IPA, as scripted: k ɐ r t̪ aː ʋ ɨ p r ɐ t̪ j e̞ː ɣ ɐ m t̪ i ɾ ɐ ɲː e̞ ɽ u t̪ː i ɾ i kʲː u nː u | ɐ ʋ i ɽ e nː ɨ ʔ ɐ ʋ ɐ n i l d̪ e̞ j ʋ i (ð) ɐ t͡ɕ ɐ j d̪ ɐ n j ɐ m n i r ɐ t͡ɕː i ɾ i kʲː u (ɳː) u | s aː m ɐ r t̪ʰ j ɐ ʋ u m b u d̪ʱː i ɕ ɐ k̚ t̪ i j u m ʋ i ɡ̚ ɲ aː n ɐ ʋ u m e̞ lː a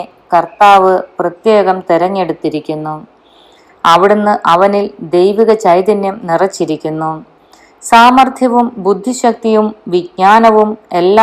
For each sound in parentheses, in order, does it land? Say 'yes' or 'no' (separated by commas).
no, no